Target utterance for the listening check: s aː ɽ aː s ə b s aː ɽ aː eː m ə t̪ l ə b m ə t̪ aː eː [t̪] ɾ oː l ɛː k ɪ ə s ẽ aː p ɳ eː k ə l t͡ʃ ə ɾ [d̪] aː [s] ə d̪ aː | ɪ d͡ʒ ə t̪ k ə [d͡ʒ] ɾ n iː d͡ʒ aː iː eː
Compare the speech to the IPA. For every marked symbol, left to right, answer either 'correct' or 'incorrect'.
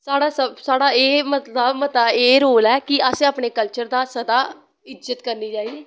incorrect, correct, correct, incorrect

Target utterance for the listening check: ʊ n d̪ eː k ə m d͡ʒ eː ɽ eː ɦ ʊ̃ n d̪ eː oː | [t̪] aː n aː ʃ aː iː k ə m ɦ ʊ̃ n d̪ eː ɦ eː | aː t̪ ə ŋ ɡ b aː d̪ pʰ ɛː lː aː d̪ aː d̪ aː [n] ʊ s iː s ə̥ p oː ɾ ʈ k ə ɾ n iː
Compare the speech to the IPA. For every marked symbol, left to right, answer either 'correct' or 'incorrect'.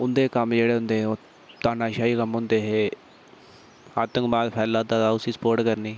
correct, incorrect

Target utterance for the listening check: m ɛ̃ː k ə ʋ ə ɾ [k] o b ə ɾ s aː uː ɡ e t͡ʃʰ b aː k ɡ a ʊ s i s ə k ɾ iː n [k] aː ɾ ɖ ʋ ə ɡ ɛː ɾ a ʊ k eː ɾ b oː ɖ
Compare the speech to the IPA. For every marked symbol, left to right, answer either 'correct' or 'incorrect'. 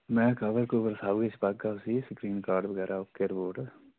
correct, correct

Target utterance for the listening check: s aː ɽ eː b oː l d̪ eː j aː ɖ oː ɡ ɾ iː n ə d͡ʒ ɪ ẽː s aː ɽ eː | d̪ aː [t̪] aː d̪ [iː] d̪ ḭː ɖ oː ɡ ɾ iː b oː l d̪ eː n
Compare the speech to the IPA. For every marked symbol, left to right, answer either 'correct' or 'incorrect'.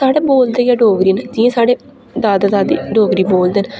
incorrect, incorrect

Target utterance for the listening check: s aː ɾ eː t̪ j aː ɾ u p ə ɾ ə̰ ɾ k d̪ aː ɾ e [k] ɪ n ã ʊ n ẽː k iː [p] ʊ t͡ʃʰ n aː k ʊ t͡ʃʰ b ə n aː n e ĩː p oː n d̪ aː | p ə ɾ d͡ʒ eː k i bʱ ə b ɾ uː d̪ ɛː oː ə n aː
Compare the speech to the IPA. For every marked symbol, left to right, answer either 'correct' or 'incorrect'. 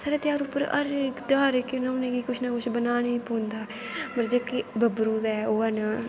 correct, incorrect

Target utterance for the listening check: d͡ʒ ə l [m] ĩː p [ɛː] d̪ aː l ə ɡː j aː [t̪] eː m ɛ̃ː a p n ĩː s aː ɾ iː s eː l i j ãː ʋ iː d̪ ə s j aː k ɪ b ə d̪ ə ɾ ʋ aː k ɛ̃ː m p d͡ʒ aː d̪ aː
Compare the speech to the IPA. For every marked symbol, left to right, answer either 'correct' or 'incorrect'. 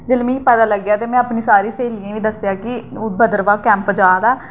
correct, correct, correct

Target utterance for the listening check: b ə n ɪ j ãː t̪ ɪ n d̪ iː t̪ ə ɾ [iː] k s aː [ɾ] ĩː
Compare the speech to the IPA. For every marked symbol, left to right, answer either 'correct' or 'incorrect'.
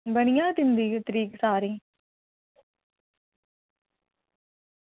correct, correct

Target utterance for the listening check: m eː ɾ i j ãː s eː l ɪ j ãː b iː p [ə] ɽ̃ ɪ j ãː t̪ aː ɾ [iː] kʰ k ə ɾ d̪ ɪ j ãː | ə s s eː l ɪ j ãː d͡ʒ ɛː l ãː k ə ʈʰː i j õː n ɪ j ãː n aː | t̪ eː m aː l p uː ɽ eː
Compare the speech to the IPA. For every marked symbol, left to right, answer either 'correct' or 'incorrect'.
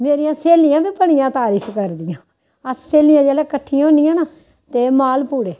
correct, correct

